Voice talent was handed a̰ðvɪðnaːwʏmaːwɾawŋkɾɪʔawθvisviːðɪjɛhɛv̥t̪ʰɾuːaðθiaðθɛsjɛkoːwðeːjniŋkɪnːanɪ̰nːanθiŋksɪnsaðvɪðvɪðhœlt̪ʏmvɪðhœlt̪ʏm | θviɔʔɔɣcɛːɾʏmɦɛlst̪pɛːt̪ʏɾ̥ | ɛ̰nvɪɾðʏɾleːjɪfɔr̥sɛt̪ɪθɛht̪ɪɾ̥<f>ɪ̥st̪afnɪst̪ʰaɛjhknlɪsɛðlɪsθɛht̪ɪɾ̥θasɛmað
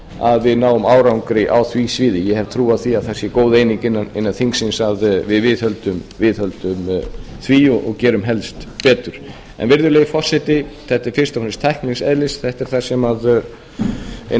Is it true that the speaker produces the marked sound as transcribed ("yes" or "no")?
yes